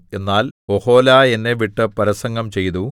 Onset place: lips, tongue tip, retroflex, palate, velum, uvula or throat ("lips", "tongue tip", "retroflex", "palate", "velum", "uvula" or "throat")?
tongue tip